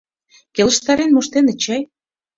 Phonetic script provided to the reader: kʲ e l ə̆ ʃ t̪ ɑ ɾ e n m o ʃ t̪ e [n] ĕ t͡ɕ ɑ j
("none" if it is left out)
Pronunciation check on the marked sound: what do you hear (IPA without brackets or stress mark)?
n